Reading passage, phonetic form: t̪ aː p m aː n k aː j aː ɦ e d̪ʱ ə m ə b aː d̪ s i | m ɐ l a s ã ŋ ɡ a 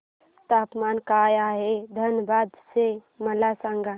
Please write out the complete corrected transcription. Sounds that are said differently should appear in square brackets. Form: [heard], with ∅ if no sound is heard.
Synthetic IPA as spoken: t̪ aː p m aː n k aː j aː ɦ e d̪ʱ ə [n] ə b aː d̪ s [e] | m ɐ l a s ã ŋ ɡ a